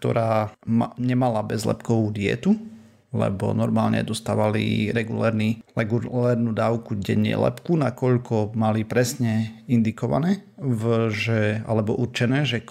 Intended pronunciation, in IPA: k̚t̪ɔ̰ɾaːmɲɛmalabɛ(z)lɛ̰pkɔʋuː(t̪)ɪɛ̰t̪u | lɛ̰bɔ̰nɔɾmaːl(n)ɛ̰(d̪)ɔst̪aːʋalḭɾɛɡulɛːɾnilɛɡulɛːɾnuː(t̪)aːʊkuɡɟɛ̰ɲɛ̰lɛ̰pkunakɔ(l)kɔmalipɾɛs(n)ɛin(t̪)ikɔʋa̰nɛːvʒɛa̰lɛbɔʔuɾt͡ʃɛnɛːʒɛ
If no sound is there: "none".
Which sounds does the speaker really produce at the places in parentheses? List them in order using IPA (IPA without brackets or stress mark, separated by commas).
z, d̪, ɲ, d̪, d̪, ʎ, ɲ, d̪